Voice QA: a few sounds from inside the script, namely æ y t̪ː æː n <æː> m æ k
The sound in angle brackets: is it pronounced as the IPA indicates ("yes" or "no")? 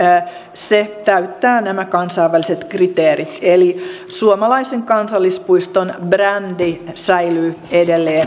no